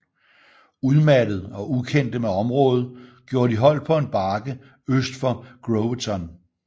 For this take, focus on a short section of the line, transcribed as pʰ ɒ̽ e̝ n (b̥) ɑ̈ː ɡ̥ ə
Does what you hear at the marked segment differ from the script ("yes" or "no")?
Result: no